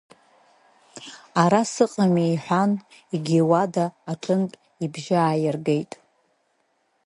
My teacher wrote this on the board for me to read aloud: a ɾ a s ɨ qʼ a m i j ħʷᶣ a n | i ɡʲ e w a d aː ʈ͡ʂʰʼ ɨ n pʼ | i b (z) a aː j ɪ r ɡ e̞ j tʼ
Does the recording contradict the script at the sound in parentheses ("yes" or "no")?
yes